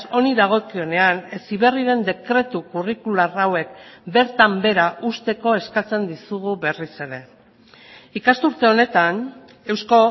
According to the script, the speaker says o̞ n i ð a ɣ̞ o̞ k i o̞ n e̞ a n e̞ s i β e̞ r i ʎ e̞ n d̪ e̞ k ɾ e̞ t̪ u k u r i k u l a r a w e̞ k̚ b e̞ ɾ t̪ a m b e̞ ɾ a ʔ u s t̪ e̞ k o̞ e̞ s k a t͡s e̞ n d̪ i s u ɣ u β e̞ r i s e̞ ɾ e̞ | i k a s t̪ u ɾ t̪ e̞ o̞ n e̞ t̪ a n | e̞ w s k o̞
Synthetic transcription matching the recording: o̞ n i ð a ɣ̞ o̞ k i o̞ n e̞ a n e̞ s i β e̞ r i ɾ e̞ n d̪ e̞ k ɾ e̞ t̪ u k u r i k u l a r a w e̞ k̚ b e̞ ɾ t̪ a m b e̞ ɾ a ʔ u s t̪ e̞ k o̞ e̞ s k a t͡s e̞ n d̪ i s u ɣ u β e̞ r i s e̞ ɾ e̞ | i k a s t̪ u ɾ t̪ e̞ o̞ n e̞ t̪ a n | e̞ w s k o̞

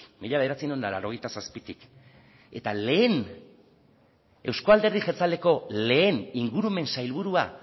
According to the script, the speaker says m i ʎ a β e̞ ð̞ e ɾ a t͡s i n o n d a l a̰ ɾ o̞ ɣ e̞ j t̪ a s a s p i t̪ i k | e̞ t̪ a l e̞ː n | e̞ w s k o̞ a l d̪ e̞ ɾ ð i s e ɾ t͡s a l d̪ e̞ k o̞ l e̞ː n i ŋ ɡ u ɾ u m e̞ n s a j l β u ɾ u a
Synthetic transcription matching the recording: m i ʎ a β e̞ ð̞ e ɾ a t͡s i n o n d a l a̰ ɾ o̞ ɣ e̞ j t̪ a s a s p i t̪ i k | e̞ t̪ a l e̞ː n | e̞ w s k o̞ a l d̪ e̞ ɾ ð i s e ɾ t͡s a l d̪ e̞ k o̞ l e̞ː n i ŋ ɡ u ɾ u m e̞ n s a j l β u ɾ u a

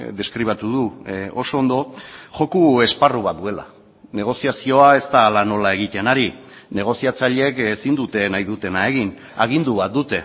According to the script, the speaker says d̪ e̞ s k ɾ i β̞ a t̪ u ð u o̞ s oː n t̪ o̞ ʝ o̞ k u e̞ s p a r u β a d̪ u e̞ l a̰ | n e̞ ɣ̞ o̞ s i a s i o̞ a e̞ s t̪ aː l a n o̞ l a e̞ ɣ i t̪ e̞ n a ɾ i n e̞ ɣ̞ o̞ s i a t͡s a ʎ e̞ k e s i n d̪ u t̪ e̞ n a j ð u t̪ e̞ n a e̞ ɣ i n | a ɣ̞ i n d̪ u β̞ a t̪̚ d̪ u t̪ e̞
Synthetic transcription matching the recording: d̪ e̞ s k ɾ i β̞ a t̪ u ð u o̞ s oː n d̪ o̞ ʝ o̞ k u e̞ s p a r u β a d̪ u e̞ l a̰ | n e̞ ɣ̞ o̞ s i a s i o̞ a e̞ s t̪ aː l a n o̞ l a e̞ ɣ i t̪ e̞ n a ɾ i n e̞ ɣ̞ o̞ s i a t͡s a ʎ e̞ k e s i n d̪ u t̪ e̞ n a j ð u t̪ e̞ n a e̞ ɣ i n | a ɣ̞ i n d̪ u β̞ a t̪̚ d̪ u t̪ e̞

